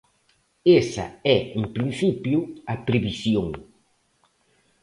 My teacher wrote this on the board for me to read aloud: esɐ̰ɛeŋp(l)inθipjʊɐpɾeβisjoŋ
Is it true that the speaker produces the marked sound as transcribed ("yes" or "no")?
no